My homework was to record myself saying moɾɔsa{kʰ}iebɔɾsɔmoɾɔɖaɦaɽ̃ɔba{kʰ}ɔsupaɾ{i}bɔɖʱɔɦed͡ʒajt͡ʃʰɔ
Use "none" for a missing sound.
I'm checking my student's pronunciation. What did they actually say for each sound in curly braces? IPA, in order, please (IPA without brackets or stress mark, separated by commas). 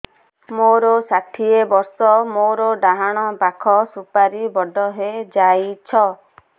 ʈʰ, kʰ, i